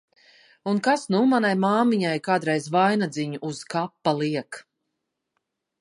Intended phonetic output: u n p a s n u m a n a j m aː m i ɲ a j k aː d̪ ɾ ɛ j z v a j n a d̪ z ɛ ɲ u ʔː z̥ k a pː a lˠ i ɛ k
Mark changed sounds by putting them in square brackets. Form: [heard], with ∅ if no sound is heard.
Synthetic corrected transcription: u n [k] a s n u m a n a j m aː m i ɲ a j k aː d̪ ɾ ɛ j z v a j n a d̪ z [i] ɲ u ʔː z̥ k a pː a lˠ i ɛ k